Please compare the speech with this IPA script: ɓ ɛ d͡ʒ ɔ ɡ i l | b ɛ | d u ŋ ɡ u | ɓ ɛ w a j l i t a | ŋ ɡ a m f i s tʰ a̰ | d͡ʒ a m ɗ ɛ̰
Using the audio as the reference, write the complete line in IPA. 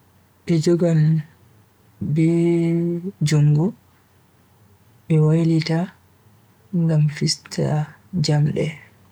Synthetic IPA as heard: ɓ ɛ d͡ʒ ɔ ɡ a l | b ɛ | d͡ʒ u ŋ ɡ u | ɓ ɛ w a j l i t a | ŋ ɡ a m f i s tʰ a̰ | d͡ʒ a m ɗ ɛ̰